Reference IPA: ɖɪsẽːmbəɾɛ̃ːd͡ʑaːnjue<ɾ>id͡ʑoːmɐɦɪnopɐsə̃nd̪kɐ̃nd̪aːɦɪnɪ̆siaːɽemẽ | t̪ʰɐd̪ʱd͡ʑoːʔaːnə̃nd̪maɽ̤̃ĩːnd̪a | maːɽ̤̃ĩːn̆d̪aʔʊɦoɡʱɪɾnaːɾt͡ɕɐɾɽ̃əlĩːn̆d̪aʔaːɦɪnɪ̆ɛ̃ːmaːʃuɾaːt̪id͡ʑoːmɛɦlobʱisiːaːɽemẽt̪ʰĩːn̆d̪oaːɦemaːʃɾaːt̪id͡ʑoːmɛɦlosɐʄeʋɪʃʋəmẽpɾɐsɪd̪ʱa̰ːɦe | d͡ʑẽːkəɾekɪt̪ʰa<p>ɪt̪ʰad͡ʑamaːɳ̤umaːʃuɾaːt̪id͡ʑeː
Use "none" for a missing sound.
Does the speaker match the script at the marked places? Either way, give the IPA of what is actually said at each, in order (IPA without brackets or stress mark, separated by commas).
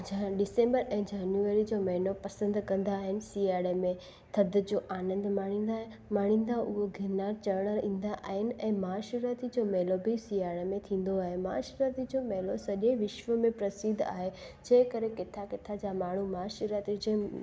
ɾ, k